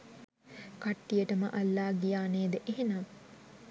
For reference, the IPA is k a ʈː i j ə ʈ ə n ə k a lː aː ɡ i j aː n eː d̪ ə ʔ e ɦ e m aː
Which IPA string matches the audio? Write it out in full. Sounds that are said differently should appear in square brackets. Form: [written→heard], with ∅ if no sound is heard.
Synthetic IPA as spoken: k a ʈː i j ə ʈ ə [n→m] ə [k→ʔ] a lː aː ɡ i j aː n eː d̪ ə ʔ e ɦ e [m→n] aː